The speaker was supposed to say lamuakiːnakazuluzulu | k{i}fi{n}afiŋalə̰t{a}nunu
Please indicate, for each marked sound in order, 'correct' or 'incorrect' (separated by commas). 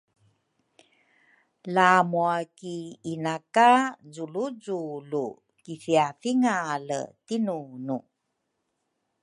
correct, incorrect, incorrect